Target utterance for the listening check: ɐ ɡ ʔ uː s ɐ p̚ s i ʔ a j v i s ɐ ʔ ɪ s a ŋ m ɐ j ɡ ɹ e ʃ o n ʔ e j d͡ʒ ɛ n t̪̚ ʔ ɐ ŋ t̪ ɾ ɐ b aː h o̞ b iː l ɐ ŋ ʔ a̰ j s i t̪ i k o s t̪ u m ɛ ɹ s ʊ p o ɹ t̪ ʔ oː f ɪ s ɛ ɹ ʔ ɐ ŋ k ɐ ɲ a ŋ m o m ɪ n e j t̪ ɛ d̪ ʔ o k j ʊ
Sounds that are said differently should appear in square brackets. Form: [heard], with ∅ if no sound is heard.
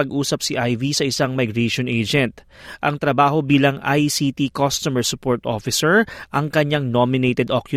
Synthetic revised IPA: ɐ ɡ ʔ uː s ɐ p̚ s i ʔ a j v i s ɐ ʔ ɪ s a ŋ m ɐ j ɡ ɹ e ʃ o n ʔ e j d͡ʒ ɛ n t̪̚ ʔ ɐ ŋ t̪ ɾ ɐ b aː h o̞ b iː l ɐ ŋ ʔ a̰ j s i t̪ i k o s t̪ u m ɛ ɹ s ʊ p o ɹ t̪ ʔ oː f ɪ s ɛ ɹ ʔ ɐ ŋ k ɐ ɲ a ŋ [n] o m ɪ n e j t̪ ɛ d̪ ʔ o k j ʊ